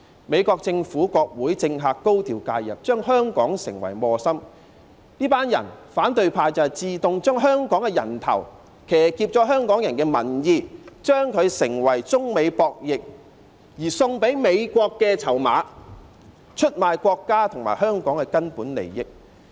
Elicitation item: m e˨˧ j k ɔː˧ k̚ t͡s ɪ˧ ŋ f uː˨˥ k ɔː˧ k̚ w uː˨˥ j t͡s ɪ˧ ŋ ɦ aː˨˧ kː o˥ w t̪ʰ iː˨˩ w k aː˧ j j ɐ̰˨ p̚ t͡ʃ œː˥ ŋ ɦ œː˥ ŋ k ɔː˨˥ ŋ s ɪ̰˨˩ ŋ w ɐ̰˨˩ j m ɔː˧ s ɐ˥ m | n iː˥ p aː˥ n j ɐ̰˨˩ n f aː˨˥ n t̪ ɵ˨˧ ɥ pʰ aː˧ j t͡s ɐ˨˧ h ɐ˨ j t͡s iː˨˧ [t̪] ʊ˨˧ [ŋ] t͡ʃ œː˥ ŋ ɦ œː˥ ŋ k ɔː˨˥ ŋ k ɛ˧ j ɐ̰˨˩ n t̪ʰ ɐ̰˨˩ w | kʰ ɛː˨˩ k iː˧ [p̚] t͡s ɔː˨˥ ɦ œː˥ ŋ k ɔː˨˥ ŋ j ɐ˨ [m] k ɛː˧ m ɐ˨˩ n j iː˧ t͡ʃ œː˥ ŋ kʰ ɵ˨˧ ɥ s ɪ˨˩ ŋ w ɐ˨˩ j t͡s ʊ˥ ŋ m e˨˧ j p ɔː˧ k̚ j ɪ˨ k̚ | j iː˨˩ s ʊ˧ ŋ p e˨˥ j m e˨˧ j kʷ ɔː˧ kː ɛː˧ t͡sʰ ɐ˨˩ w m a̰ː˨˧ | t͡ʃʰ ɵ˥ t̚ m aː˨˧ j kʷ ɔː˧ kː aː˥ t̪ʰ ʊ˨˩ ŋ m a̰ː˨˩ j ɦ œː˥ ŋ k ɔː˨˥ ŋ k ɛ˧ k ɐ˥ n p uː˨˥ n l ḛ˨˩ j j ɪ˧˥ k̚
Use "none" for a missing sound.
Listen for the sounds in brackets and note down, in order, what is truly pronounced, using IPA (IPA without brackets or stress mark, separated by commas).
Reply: t̪, ŋ, p̚, n